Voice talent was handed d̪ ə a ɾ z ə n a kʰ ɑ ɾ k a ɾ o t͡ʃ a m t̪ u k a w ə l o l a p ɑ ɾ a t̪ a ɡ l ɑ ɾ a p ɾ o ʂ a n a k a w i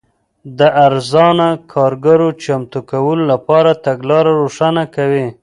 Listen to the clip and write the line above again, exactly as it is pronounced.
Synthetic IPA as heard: d̪ ə a ɾ z ɑ n a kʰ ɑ ɾ ɡ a ɾ o t͡ʃ a m t̪ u k a w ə l o l a p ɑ ɾ a t̪ a ɡ l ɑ ɾ a ɾ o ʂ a n a k a w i